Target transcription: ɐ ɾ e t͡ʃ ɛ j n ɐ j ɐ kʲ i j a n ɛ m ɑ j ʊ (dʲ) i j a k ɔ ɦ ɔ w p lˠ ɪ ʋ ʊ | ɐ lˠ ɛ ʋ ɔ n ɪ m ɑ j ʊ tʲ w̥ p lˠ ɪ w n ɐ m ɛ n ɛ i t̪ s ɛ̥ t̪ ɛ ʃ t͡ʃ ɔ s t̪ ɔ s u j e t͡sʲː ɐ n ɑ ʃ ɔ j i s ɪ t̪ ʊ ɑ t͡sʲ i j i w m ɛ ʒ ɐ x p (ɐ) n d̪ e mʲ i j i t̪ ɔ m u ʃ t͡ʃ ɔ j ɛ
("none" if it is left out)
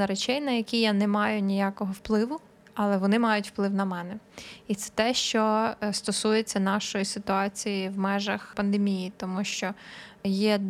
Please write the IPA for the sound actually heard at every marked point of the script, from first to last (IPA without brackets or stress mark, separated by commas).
nʲ, ɐ